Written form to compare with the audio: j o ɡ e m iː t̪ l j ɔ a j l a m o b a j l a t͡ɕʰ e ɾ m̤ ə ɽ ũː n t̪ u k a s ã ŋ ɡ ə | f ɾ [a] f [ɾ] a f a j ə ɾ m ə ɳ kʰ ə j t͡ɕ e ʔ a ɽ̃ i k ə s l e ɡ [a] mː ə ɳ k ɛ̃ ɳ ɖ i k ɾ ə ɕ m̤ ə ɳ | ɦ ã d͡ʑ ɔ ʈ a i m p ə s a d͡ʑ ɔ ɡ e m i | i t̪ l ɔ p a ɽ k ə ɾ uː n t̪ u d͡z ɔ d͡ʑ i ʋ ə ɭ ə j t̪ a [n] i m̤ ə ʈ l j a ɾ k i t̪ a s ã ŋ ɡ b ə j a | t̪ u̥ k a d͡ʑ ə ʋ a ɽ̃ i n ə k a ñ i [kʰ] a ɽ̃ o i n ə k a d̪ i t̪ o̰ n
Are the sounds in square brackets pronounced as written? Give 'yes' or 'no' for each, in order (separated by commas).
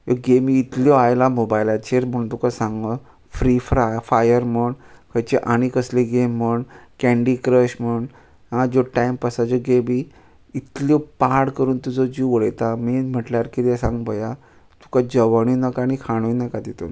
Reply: no, yes, no, no, yes